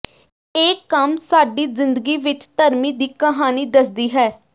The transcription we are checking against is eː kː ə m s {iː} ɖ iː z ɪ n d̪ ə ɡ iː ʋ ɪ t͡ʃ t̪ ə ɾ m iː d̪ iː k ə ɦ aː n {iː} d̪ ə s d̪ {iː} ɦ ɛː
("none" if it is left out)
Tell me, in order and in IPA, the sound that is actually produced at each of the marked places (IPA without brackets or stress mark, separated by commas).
aː, iː, iː